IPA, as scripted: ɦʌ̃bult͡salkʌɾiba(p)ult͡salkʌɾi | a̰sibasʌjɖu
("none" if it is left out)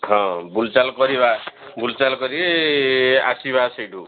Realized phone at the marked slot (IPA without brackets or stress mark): b